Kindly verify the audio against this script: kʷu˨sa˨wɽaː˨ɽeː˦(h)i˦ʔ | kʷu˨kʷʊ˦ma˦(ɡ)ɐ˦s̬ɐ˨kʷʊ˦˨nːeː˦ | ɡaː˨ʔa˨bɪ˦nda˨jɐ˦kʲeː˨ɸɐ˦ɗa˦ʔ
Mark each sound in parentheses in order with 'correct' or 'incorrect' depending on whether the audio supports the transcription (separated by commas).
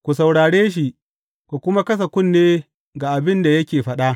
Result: incorrect, incorrect